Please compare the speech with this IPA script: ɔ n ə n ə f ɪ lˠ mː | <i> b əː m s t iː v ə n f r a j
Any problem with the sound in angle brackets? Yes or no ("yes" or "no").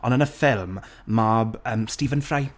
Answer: yes